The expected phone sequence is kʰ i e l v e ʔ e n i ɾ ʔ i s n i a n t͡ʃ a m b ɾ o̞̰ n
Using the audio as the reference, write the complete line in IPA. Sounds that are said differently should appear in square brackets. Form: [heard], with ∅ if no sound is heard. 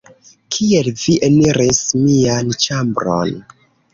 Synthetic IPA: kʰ i e l v [i] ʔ e n i ɾ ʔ i s [m] i a n t͡ʃ a m b ɾ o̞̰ n